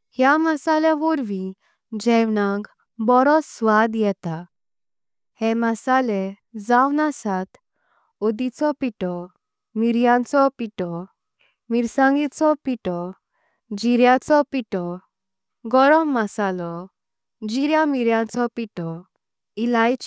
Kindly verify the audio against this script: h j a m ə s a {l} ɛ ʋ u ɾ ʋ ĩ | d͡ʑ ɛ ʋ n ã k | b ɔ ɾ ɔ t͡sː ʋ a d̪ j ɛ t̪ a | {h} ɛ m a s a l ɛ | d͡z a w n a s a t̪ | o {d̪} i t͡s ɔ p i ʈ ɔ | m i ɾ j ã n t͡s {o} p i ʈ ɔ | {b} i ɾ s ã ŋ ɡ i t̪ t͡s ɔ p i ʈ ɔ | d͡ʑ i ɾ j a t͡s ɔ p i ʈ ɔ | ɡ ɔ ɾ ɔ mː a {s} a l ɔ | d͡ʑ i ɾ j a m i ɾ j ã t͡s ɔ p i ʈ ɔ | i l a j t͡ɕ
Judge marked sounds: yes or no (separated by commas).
yes, yes, yes, no, no, yes